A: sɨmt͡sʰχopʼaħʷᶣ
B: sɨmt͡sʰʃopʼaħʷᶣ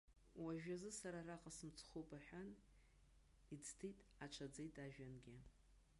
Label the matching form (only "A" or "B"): A